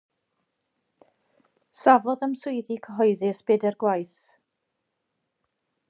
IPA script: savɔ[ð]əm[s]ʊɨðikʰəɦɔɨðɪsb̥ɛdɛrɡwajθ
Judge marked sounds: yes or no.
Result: yes, yes

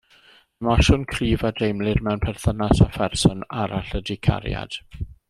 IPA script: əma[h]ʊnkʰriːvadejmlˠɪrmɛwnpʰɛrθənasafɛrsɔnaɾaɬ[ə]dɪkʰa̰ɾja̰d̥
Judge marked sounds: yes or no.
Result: no, yes

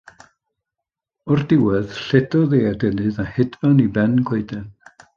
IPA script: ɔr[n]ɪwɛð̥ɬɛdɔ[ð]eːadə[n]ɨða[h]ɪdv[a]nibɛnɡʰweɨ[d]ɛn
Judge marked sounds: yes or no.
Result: no, yes, yes, yes, yes, yes

